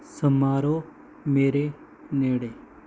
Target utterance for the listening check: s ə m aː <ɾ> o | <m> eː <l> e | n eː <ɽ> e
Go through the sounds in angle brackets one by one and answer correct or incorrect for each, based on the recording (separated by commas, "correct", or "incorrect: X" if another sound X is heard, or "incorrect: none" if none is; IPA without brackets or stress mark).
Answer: correct, correct, incorrect: ɾ, correct